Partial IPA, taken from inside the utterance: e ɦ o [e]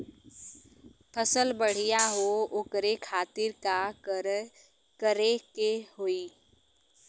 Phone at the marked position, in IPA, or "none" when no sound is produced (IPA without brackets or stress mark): i